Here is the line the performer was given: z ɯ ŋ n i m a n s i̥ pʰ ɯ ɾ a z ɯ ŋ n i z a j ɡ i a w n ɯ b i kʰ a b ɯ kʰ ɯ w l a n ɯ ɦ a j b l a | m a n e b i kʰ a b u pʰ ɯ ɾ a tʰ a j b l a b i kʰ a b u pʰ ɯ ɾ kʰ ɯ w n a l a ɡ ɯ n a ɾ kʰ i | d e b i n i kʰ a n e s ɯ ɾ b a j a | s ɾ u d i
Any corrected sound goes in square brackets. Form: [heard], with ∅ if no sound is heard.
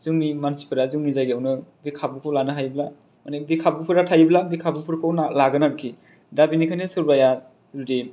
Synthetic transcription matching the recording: z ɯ ŋ n i m a n s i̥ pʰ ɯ ɾ a z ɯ ŋ n i z a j ɡ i a w n ɯ b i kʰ a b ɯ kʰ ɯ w l a n ɯ ɦ a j b l a | m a n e b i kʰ a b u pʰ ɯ ɾ a tʰ a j b l a b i kʰ a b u pʰ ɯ ɾ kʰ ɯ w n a l a ɡ ɯ n a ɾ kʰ i | d [a] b i n i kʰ a n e s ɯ ɾ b a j a | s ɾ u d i

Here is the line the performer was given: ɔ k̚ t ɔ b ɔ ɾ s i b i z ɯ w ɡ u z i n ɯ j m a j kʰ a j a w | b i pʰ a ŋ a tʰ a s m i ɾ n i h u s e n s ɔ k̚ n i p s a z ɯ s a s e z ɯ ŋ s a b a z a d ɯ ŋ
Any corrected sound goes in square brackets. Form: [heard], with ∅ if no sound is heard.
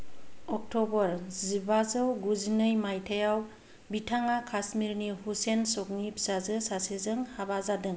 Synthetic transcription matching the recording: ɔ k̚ t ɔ b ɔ ɾ [z] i b [a] z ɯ w ɡ u z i n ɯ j m a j [tʰ] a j a w | b i [tʰ] a ŋ a [kʰ] a s m i ɾ n i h u s e n s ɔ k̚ n i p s a z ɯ s a s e z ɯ ŋ [h] a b a z a d ɯ ŋ

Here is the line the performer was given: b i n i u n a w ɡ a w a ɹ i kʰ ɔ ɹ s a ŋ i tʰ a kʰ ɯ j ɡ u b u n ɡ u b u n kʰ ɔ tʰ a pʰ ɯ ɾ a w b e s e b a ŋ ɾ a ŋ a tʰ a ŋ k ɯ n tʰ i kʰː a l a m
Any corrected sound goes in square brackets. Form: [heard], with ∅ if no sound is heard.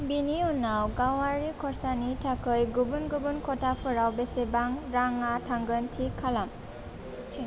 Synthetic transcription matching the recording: b i n i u n a w ɡ a w a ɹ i kʰ ɔ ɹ s a [n] i tʰ a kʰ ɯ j ɡ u b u n ɡ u b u n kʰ ɔ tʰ a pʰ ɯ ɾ a w b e s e b a ŋ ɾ a ŋ a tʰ a ŋ [ɡ] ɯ n tʰ i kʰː a l a m

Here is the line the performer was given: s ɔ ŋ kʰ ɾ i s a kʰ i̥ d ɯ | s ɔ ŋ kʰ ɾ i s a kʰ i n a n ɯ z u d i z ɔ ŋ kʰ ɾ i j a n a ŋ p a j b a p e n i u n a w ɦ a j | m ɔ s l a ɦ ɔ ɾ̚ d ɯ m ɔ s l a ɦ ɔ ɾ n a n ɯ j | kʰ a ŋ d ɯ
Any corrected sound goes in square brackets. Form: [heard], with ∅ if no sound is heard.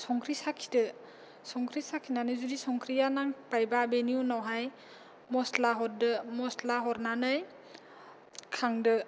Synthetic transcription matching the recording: s ɔ ŋ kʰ ɾ i s a kʰ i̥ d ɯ | s ɔ ŋ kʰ ɾ i s a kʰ i n a n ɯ z u d i [s] ɔ ŋ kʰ ɾ i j a n a ŋ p a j b a [b] e n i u n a w ɦ a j | m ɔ s l a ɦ ɔ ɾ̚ d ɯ m ɔ s l a ɦ ɔ ɾ n a n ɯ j | kʰ a ŋ d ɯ

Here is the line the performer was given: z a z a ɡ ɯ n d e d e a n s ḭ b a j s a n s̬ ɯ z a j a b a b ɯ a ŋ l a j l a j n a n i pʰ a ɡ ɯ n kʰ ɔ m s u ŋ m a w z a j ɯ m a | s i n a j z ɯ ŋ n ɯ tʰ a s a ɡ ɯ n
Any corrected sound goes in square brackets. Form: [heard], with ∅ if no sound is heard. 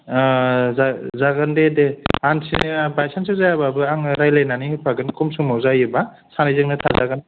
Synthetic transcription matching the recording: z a z a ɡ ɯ n d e d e a n s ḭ b a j s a n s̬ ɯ z a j a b a b ɯ a ŋ [ɾ] a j l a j n a n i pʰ a ɡ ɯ n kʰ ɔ m s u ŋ m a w z a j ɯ [b] a | s [a] n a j z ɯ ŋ n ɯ tʰ a [z] a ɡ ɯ n

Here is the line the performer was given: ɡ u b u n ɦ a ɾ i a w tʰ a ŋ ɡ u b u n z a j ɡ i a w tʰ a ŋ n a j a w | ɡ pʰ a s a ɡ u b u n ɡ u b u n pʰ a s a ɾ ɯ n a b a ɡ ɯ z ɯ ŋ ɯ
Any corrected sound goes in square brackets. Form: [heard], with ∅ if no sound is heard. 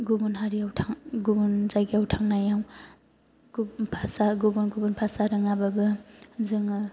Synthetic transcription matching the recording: ɡ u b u n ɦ a ɾ i a w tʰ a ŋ ɡ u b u n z a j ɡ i a w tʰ a ŋ n a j a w | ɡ pʰ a s a ɡ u b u n ɡ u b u n pʰ a s a ɾ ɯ [ŋ] a b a [b] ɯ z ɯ ŋ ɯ

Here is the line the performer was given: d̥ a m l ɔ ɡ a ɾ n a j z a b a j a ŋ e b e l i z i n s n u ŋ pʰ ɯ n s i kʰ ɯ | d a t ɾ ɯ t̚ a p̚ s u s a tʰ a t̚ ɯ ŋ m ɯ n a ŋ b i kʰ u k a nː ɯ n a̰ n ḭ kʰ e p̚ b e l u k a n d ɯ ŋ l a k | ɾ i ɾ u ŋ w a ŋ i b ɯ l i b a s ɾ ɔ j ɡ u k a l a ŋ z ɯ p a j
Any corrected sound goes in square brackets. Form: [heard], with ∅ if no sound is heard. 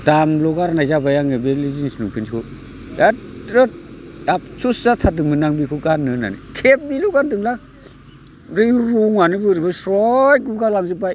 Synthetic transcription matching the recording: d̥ a m l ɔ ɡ a ɾ n a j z a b a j a ŋ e b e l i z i n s n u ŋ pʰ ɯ n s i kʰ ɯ | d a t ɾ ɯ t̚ a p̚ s u s a tʰ a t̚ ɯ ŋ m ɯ n a ŋ b i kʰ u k a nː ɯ n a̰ n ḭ kʰ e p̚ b [i] l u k a n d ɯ ŋ l a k | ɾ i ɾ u ŋ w a [n] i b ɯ [ɾ] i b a s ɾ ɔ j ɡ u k a l a ŋ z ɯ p a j

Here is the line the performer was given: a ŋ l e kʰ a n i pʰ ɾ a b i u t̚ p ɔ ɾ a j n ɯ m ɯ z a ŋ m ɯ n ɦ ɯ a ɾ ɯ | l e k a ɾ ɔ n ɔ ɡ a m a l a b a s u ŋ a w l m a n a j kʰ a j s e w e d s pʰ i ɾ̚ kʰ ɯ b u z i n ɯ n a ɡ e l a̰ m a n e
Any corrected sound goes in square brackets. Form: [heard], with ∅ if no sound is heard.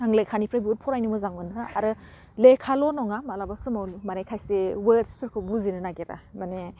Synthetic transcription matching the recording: a ŋ l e kʰ a n i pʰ ɾ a b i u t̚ [pʰ] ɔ ɾ a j n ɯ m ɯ z a ŋ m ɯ n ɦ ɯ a ɾ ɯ | l e [kʰ] a [l] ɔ n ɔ [ŋ] a m a l a b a s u [m] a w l m a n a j kʰ a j s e w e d s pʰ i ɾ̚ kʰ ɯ b u z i n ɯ n a ɡ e [ɾ] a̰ m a n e

